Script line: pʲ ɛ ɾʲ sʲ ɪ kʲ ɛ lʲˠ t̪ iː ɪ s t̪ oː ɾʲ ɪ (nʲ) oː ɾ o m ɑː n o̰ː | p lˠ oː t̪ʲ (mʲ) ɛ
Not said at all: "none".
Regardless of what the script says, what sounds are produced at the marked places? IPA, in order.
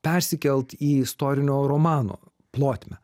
nʲ, mʲ

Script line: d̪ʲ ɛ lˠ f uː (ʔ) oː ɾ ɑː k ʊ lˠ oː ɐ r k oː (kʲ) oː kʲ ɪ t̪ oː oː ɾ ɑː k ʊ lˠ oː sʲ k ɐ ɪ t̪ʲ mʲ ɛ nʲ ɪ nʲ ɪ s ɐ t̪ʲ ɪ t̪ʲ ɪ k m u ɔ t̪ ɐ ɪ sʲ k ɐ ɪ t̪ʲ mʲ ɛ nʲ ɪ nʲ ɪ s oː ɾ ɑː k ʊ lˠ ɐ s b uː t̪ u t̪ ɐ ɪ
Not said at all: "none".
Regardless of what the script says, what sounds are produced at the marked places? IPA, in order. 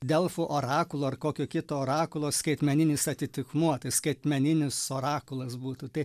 ʔ, kʲ

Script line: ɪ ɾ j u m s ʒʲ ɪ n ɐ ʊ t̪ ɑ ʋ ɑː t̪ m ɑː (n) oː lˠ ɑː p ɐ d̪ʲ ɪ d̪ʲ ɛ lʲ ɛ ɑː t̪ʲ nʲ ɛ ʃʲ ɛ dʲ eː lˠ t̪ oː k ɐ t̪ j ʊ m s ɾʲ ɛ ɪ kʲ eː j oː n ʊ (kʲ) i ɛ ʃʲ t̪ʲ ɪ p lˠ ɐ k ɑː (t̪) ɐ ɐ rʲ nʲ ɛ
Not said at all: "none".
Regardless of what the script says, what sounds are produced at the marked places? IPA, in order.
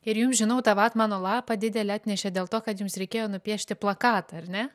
n, pʲ, t̪

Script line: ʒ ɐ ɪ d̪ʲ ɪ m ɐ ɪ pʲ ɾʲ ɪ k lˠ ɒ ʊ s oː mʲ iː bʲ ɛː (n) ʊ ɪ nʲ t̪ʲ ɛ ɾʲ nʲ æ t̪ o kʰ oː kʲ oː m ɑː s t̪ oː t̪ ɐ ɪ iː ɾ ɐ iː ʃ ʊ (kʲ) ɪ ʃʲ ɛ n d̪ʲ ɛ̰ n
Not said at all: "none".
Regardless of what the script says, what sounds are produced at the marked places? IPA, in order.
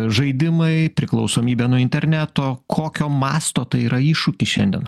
n, kʲ

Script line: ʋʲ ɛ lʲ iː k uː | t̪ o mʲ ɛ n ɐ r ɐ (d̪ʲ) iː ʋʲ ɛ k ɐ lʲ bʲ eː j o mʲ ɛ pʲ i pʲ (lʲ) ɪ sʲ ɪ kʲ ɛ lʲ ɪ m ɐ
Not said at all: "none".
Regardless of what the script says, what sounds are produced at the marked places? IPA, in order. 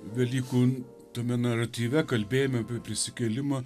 t̪ʲ, ɾʲ

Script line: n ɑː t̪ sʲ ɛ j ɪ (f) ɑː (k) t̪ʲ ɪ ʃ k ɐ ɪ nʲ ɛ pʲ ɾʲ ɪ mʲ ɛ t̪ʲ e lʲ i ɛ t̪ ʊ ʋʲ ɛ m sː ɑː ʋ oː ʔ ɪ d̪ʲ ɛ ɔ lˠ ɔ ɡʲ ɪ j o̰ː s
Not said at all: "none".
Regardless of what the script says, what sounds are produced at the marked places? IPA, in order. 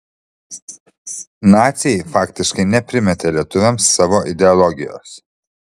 f, k

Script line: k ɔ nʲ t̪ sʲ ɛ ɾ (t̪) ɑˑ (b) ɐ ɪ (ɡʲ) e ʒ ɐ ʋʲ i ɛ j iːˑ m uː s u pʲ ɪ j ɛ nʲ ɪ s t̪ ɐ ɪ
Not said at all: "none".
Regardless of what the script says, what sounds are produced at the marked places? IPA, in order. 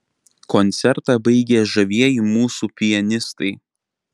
t̪, b, ɡʲ

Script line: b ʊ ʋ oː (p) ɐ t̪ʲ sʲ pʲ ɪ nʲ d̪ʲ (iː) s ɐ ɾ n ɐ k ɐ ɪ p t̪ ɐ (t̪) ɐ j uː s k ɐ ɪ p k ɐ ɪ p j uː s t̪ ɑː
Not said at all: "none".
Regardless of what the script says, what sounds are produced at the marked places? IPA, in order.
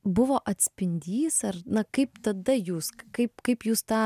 ʔ, iː, d̪

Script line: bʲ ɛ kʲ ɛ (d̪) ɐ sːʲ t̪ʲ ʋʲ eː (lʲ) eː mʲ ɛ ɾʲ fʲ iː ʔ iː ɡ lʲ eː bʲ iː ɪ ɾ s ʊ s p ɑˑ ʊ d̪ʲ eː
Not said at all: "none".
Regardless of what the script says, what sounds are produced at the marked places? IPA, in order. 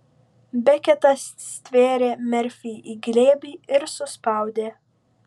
t̪, ɾʲ

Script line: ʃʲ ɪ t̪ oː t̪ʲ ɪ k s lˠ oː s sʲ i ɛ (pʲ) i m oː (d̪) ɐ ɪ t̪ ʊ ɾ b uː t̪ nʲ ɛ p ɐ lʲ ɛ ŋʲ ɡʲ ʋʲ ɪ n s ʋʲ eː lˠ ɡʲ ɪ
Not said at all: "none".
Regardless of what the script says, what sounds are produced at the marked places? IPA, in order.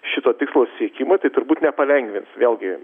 kʲ, t̪

